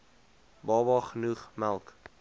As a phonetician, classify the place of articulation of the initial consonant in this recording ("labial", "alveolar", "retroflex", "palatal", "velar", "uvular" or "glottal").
labial